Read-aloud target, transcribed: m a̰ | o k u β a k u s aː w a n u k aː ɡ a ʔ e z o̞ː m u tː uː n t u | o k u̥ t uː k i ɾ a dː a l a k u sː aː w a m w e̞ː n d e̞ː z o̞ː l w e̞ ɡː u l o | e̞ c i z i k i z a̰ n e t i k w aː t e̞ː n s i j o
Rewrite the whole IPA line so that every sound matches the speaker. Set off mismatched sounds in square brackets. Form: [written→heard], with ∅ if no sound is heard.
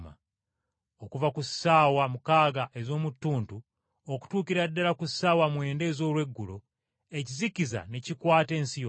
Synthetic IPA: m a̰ | o k u [β→v] a k u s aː w a [n→m] u k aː ɡ a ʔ e z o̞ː m u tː uː n t u | o k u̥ t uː k i ɾ a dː a l a k u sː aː w a m w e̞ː n d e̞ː z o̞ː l w e̞ ɡː u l o | e̞ c i z i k i z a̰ n e [t→c] i k w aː t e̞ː n s i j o